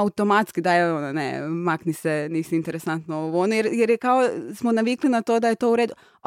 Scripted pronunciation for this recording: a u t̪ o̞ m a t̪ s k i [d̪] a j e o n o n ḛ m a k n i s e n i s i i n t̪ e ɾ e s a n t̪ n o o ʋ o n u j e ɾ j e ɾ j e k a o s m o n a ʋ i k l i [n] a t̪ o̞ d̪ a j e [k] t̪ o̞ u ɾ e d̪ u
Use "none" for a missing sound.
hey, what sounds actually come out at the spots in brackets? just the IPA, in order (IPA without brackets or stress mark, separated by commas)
d̪, n, none